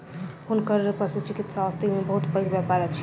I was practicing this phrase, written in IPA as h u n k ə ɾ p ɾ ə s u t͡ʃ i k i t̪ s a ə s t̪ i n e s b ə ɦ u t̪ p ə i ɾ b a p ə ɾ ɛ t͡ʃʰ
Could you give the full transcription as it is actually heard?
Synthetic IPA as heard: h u n k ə ɾ p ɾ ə s u t͡ʃ i k i t̪ s a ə s t̪ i m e b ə ɦ u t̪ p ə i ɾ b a p a ɾ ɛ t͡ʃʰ

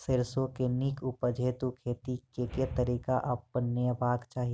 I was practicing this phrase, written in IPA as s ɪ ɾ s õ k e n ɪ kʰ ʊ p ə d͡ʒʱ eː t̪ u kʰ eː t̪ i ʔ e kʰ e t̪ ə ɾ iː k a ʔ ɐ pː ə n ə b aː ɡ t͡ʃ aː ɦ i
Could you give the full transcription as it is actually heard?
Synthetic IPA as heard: s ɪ ɾ s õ k e n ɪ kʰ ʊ p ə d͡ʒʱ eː t̪ u kʰ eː t̪ i k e k e t̪ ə ɾ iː k a ʔ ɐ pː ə n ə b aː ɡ t͡ʃ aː ɦ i

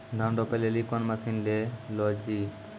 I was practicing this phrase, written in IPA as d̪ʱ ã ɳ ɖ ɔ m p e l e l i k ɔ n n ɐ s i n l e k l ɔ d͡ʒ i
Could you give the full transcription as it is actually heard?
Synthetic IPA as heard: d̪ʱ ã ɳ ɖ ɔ p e l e l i k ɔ n m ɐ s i n l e l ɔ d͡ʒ i

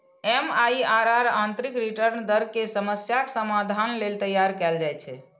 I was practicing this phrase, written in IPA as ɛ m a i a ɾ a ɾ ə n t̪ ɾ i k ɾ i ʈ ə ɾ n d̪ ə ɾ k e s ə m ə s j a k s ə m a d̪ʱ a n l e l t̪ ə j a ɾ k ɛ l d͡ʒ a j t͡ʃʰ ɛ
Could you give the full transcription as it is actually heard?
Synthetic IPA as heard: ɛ m a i a ɾ a ɾ a n t̪ ɾ i k ɾ i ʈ ə ɾ n d̪ ə ɾ k e s ə m ə s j a k s ə m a d̪ʱ a n l e l t̪ ə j a ɾ k ɛ l d͡ʒ a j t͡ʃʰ ɛ

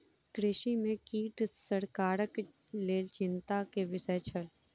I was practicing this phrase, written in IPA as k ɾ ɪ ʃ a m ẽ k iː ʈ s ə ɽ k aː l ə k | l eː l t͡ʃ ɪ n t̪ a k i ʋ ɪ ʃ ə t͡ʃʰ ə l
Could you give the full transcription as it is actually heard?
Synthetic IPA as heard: k ɾ ɪ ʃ i m ẽ k iː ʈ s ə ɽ k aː ɾ ə k | l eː l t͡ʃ ɪ n t̪ a k e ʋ ɪ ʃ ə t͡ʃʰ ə l

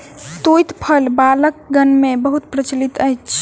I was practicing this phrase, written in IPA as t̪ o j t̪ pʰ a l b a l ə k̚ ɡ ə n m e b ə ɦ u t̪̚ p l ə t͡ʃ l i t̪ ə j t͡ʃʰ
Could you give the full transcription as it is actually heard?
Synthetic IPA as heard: t̪ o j t̪ pʰ ə l b a l ə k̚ ɡ ə n m e b ə ɦ u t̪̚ p ɾ ə t͡ʃ l i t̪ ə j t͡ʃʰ

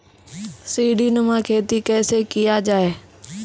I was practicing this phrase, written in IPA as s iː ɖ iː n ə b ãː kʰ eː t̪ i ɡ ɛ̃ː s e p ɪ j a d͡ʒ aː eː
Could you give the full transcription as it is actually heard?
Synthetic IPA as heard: s iː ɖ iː n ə m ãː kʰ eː t̪ i k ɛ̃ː s e k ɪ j a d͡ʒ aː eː

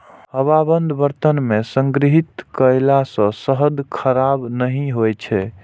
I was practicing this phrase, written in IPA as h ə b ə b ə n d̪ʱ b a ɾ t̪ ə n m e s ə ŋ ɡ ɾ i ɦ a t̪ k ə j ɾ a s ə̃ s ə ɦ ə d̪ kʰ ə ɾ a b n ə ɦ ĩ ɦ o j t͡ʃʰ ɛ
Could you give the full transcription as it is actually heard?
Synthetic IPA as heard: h ə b a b ə n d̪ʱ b ə ɾ t̪ ə n m e s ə ŋ ɡ ɾ i ɦ i t̪ k ə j l a s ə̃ s ə ɦ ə d̪ kʰ ə ɾ a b n ə ɦ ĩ ɦ o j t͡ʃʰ ɛ

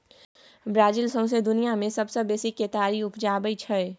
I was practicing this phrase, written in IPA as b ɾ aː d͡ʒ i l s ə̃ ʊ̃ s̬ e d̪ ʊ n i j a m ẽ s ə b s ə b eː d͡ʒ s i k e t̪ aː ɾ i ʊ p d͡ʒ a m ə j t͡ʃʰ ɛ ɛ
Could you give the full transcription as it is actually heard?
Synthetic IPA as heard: b ɾ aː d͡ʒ i l s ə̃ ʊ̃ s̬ e d̪ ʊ n i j a m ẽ s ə b s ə b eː s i k e t̪ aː ɾ i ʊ p d͡ʒ a b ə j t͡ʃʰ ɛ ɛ

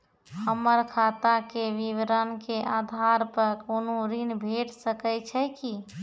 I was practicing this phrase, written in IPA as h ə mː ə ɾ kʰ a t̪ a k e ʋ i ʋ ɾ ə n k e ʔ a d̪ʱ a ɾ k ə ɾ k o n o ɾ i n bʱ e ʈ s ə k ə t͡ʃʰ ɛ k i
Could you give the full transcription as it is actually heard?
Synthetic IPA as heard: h ə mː ə ɾ kʰ a t̪ a k e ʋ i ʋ ɾ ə n k e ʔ a d̪ʱ a ɾ p ə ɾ k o n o ɾ i n bʱ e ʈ s ə k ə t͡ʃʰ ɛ k i

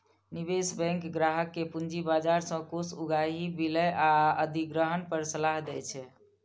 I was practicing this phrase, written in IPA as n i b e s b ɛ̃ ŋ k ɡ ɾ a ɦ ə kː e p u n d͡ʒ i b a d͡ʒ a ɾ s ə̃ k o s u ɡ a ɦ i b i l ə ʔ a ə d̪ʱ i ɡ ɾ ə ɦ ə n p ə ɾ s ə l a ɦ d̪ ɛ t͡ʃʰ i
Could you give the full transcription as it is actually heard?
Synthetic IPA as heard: n i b e s b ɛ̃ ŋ k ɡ ɾ a ɦ ə kː e p u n d͡ʒ i b a d͡ʒ a ɾ s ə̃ k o s u ɡ a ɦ i b i l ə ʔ a ə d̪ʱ i ɡ ɾ ə ɦ ə n p ə ɾ s ə l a ɦ d̪ ɛ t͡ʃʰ ɛ

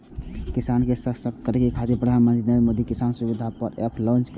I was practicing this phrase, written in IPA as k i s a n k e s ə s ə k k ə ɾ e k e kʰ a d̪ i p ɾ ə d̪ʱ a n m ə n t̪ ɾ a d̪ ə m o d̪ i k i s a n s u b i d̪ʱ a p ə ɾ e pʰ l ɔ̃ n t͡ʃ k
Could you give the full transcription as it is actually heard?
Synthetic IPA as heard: k i s a n k e s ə s ə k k ə ɾ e k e kʰ a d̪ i p ɾ ə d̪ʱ a n m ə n t̪ ɾ i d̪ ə m o d̪ i k i s a n s u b i d̪ʱ a p ə ɾ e pʰ l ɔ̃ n t͡ʃ k

